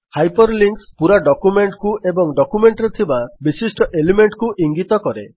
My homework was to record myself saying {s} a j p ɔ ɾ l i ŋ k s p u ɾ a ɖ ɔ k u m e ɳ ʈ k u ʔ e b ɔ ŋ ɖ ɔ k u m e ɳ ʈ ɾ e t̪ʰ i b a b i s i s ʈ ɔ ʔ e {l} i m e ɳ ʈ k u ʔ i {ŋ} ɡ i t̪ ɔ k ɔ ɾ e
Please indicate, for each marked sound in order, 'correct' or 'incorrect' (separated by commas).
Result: incorrect, correct, correct